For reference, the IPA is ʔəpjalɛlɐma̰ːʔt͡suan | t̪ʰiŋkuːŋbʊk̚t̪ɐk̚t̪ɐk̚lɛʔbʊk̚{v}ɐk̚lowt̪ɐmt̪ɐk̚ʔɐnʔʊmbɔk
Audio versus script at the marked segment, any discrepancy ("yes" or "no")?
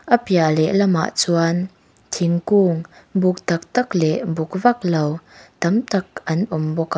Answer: no